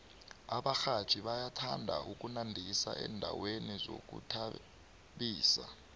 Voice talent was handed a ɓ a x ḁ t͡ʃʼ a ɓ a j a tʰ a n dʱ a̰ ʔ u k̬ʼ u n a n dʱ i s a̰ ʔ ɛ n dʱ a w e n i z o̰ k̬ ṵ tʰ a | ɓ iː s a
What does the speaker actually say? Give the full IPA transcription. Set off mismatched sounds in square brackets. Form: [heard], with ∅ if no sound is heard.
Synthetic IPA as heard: a ɓ a x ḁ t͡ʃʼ [i] ɓ a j a tʰ a n dʱ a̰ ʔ u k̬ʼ u n a n dʱ i s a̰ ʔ ɛ n dʱ a w e n i z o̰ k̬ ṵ tʰ a | ɓ iː s a